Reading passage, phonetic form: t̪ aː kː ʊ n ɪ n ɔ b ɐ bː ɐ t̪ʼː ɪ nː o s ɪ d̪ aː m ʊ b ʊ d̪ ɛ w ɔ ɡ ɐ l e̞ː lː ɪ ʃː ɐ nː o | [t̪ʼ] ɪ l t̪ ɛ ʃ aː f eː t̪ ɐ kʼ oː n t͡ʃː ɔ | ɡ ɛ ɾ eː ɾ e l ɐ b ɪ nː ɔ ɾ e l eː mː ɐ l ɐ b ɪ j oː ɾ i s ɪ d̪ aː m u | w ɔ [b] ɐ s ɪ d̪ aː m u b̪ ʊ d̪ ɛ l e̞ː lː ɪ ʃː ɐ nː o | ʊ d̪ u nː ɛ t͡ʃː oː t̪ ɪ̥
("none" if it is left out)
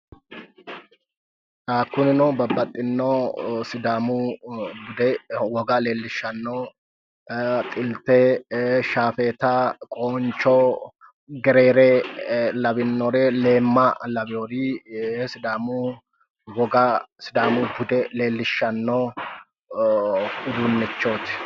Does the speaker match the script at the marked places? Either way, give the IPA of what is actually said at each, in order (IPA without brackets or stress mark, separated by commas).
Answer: t̪ʼ, ɡ